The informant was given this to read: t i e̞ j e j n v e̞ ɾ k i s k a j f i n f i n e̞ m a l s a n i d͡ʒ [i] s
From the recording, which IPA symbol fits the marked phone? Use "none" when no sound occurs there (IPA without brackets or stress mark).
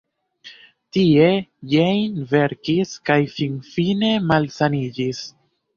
i